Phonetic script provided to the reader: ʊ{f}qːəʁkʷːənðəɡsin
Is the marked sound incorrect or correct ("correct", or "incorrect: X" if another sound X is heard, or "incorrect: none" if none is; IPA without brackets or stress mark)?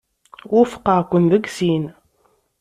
correct